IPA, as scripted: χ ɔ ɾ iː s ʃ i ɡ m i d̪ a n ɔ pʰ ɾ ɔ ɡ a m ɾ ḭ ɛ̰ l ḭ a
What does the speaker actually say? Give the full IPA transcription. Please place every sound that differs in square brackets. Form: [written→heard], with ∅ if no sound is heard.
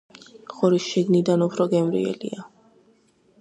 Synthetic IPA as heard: χ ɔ ɾ [iː→i] s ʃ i ɡ [m→n] i d̪ a n [ɔ→u] pʰ ɾ ɔ ɡ [a→ɛ] m ɾ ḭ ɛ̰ l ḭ a